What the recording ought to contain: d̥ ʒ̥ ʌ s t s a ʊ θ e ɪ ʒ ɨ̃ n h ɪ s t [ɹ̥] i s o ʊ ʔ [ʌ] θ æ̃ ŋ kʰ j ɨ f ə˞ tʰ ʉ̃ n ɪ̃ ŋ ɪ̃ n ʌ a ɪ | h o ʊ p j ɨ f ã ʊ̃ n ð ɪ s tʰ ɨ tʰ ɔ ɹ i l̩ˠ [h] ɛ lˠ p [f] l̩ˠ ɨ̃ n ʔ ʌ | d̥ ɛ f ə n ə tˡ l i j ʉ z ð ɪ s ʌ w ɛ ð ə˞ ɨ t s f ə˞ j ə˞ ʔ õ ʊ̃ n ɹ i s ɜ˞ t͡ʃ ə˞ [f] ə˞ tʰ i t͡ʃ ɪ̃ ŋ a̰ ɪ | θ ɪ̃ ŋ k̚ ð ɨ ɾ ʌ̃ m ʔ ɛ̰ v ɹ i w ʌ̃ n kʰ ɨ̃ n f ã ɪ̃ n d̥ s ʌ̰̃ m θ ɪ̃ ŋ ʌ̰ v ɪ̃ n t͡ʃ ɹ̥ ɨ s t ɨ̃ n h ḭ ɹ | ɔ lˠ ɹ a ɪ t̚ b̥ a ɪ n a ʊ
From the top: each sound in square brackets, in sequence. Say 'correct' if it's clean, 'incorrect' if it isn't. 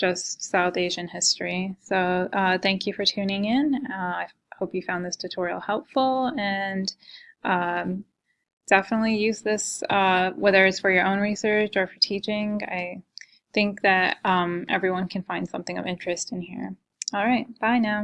correct, correct, correct, correct, correct

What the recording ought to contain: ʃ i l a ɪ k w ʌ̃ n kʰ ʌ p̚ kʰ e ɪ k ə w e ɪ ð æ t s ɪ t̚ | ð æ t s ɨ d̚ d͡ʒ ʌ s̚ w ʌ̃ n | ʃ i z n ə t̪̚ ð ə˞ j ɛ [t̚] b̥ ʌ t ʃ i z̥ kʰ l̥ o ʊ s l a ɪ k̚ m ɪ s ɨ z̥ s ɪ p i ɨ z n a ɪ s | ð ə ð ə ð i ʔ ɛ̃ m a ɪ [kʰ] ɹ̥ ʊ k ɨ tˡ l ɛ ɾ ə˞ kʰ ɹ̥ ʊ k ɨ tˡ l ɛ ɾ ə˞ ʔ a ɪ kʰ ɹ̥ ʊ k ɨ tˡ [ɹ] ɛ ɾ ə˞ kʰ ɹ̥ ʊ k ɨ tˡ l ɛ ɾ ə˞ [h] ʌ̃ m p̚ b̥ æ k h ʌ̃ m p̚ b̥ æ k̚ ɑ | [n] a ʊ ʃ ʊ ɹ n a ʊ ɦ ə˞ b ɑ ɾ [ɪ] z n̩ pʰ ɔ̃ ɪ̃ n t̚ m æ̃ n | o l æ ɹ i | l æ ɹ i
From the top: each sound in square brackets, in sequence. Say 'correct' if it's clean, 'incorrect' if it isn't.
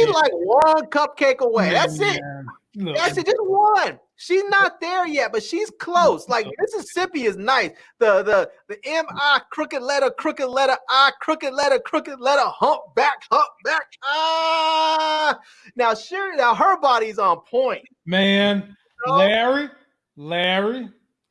correct, correct, incorrect: l, correct, correct, incorrect: i

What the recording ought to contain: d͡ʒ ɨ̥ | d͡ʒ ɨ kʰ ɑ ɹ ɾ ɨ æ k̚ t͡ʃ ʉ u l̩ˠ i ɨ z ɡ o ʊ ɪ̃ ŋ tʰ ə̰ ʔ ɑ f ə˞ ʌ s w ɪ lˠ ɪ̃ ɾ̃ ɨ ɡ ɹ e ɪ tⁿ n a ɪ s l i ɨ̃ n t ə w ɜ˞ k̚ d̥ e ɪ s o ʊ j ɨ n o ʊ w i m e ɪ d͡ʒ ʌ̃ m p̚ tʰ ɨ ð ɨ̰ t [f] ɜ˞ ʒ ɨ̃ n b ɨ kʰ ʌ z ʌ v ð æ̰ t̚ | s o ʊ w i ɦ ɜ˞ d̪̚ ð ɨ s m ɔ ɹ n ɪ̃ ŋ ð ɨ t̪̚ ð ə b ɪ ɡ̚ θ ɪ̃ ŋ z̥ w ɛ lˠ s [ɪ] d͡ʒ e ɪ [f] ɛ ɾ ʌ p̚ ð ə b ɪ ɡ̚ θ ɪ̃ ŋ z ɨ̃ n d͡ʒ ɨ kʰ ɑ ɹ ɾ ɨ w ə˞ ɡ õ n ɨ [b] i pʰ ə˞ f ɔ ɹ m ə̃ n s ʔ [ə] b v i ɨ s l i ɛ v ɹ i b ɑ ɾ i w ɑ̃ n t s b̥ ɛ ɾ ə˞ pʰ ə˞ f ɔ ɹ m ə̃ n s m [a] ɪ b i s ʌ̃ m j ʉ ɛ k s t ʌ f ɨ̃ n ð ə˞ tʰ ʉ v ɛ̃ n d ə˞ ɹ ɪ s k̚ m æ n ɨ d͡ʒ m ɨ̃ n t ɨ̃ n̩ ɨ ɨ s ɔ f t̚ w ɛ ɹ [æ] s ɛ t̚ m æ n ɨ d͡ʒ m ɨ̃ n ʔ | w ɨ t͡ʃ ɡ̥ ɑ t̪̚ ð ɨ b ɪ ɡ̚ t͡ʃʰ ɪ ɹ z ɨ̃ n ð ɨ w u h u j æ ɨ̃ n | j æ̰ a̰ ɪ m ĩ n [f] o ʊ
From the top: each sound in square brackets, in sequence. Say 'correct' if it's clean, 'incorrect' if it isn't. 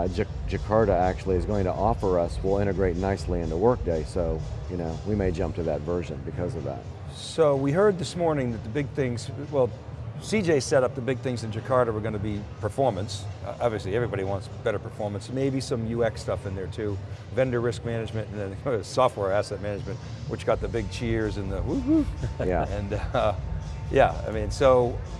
incorrect: v, incorrect: i, incorrect: s, correct, incorrect: ɑ, incorrect: e, correct, incorrect: s

